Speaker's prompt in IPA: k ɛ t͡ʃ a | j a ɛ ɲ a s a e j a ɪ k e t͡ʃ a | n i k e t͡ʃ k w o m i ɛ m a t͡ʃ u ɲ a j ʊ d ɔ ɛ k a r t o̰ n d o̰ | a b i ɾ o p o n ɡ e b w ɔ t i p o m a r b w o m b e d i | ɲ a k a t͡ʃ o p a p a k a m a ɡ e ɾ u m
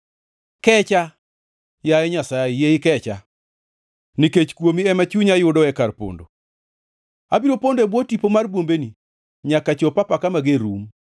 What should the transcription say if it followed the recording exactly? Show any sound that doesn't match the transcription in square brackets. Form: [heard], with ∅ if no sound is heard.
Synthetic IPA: k ɛ t͡ʃ a | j a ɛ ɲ a s a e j [e] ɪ k [ɛ] t͡ʃ a | n i k e t͡ʃ k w o m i ɛ m a t͡ʃ u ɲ a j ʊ d ɔ ɛ k a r [p] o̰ n d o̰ | a b i ɾ o p o n [d] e b w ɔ t i p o m a r b w o m b e [n] i | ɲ a k a t͡ʃ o p a p a k a m a ɡ e ɾ u m

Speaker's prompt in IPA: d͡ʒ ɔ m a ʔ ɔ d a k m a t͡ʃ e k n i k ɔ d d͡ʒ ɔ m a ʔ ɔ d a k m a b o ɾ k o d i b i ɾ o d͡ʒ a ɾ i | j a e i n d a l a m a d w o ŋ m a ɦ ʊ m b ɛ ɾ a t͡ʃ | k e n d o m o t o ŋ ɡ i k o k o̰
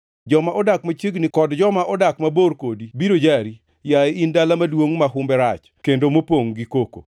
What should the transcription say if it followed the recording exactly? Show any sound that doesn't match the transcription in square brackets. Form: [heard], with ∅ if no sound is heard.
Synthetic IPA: d͡ʒ ɔ m a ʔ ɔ d a k m a t͡ʃ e [ɡ] n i k ɔ d d͡ʒ ɔ m a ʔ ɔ d a k m a b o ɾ k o d i b i ɾ o d͡ʒ a ɾ i | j a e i n d a l a m a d w o ŋ m a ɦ ʊ m b ɛ ɾ a t͡ʃ | k e n d o m o [p] o ŋ ɡ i k o k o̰

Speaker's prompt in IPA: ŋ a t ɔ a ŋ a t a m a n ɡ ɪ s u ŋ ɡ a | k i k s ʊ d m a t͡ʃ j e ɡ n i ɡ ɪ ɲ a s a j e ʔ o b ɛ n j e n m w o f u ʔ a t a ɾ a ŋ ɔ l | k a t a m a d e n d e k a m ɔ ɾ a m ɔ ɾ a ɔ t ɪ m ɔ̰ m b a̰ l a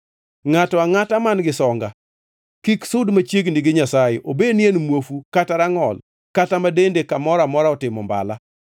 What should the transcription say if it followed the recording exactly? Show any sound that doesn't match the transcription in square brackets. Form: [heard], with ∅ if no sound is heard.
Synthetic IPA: ŋ a t ɔ a ŋ a t a m a n ɡ ɪ s [ɔ] ŋ ɡ a | k i k s ʊ d m a t͡ʃ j e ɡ n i ɡ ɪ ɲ a s a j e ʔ o b [e] n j e n m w o f u [k] a t a ɾ a ŋ ɔ l | k a t a m a d e n d e k a m ɔ ɾ a m ɔ ɾ a ɔ t ɪ m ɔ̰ m b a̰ l a

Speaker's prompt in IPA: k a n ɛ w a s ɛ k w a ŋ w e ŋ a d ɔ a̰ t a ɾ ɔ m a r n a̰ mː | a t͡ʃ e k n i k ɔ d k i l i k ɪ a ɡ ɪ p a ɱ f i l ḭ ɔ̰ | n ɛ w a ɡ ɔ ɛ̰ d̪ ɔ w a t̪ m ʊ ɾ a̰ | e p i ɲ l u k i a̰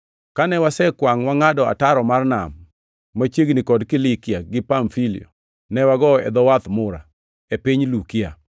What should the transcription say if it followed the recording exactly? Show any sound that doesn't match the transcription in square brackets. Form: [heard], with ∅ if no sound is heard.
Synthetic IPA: k a n ɛ w a s ɛ k w a ŋ w [a] ŋ a d ɔ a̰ t a ɾ ɔ m a r n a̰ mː | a t͡ʃ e [ɡ] n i k ɔ d k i l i k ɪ a ɡ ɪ p a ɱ f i l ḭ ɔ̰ | n ɛ w a ɡ ɔ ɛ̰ d̪ ɔ w a t̪ m ʊ ɾ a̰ | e p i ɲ l u k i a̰

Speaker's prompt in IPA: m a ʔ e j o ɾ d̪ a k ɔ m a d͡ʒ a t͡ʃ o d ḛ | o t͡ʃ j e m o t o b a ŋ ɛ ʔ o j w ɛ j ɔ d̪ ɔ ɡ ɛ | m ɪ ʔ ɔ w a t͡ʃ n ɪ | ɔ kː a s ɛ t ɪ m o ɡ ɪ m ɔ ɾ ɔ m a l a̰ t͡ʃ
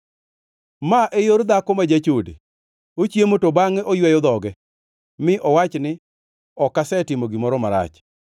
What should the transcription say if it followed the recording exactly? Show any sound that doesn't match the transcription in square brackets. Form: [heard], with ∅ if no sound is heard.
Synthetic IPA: m a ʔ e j o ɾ d̪ a k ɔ m a d͡ʒ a t͡ʃ o d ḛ | o t͡ʃ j e m o t o b a ŋ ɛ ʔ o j w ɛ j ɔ d̪ ɔ ɡ ɛ | m ɪ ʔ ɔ w a t͡ʃ n ɪ | ɔ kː a s ɛ t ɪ m o ɡ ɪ m ɔ ɾ ɔ m a [ɾ] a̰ t͡ʃ

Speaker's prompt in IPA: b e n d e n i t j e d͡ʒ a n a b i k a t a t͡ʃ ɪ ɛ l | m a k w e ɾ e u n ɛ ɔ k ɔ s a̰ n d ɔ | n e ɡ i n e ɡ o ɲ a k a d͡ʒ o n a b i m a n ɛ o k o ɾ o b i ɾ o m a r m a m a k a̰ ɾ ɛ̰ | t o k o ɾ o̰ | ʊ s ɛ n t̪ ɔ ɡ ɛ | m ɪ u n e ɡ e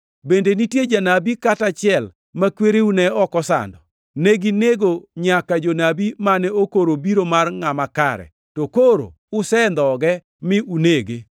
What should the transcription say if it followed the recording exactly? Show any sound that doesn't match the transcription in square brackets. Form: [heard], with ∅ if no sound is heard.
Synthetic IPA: b e n d e n i t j e d͡ʒ a n a b i k a t a t͡ʃ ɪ ɛ l | m a k w e ɾ e u n ɛ ɔ k ɔ s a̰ n d ɔ | n e ɡ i n e ɡ o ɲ a k a d͡ʒ o n a b i m a n ɛ o k o ɾ o b i ɾ o m a r [ŋ] a m a k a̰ ɾ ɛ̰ | t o k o ɾ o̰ | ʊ s ɛ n [d̪] ɔ ɡ ɛ | m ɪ u n e ɡ e

